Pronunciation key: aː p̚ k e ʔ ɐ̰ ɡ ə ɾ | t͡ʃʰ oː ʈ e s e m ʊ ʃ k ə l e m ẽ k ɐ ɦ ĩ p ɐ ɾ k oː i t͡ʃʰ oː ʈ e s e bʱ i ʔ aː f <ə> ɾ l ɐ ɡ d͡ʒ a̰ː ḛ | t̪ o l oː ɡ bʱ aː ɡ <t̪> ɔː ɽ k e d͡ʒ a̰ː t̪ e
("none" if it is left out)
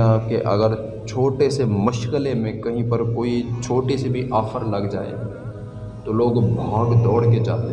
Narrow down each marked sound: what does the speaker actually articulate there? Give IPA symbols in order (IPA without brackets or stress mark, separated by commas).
ə, d̪